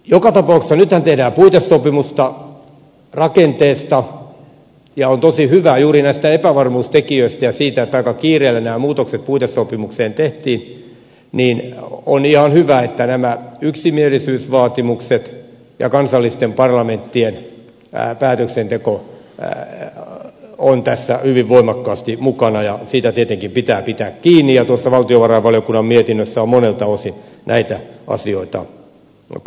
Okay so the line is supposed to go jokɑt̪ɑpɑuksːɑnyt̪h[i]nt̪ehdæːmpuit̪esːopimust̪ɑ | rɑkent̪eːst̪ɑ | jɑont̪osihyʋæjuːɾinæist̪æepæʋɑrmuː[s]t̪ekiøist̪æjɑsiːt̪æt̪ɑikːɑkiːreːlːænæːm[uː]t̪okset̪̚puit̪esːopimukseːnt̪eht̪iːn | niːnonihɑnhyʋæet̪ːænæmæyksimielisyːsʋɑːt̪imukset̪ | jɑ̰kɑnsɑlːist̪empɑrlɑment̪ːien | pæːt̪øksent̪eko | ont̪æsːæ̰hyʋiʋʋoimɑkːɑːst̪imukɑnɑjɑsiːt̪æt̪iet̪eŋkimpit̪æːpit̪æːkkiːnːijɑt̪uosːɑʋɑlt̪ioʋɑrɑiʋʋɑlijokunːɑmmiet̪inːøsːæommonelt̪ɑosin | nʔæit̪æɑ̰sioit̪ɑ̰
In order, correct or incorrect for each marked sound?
incorrect: æ, correct, correct

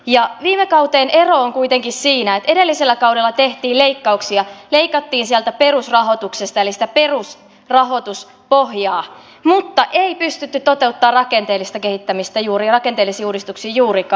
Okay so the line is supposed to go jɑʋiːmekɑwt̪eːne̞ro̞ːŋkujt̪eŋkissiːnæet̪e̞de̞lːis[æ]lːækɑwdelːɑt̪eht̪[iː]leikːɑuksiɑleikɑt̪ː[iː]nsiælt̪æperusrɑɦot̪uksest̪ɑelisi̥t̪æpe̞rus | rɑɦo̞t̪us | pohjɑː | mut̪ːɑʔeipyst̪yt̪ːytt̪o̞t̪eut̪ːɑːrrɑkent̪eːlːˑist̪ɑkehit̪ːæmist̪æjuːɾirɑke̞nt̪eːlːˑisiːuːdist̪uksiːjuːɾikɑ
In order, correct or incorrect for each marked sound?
incorrect: e, correct, correct

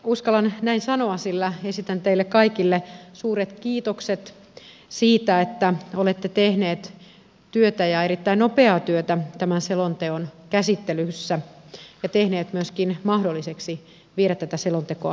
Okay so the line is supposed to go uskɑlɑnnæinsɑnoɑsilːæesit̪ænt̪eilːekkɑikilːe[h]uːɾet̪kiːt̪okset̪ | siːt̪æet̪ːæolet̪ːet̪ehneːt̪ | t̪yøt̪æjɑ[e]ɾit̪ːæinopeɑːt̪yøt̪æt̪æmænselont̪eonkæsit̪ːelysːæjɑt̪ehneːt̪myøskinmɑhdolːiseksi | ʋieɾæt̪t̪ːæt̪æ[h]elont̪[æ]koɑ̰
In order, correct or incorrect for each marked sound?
incorrect: s, correct, incorrect: s, incorrect: e

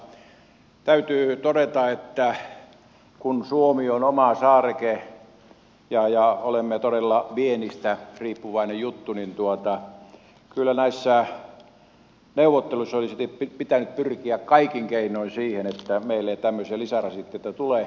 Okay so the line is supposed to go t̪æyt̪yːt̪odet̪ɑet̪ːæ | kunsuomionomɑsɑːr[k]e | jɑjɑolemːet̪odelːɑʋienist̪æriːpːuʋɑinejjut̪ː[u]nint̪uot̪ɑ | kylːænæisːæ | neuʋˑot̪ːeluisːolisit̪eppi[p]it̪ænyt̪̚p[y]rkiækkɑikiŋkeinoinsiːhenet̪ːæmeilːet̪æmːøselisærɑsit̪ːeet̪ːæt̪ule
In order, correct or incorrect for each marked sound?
correct, correct, correct, correct

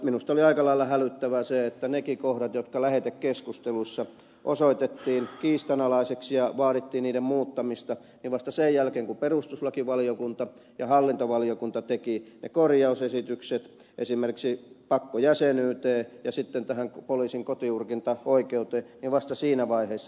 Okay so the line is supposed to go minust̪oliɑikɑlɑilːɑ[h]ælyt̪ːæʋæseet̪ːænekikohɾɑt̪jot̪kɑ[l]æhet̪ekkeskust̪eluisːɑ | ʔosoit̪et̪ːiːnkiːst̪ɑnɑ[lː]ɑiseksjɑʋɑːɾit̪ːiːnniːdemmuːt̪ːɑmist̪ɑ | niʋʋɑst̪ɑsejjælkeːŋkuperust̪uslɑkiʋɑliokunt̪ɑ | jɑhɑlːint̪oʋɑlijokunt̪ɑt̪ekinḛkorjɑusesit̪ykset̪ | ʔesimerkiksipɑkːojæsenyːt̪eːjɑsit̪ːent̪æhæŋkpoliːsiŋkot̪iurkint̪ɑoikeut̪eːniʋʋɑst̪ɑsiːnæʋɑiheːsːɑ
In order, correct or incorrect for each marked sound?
correct, correct, incorrect: l

